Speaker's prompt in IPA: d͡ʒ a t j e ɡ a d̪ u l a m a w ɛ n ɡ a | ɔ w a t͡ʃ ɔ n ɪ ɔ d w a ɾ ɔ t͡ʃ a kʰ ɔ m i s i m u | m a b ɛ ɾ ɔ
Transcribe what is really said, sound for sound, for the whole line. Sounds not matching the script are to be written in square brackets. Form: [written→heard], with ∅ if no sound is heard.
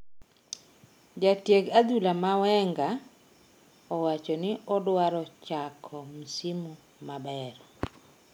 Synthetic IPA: d͡ʒ a t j e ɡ a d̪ u l a m a w ɛ [n→ŋ] ɡ a | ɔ w a t͡ʃ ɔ n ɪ ɔ d w a ɾ ɔ t͡ʃ a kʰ ɔ m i s i m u | m a b ɛ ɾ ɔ